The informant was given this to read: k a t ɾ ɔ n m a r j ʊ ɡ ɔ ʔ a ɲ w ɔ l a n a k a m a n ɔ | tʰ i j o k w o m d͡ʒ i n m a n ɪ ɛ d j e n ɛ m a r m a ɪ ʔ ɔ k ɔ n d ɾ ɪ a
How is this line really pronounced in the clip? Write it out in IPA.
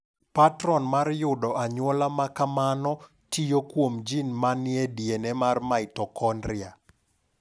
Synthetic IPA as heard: p a t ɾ ɔ n m a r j ʊ d ɔ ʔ a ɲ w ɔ l a m a k a m a n ɔ | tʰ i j o k w o m d͡ʒ i n m a n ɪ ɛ d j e n ɛ m a r m a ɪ t ɔ k ɔ n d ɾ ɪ a